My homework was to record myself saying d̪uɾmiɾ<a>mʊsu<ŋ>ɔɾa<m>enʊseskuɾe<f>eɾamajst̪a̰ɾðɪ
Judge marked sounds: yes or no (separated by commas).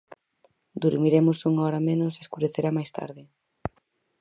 no, yes, yes, no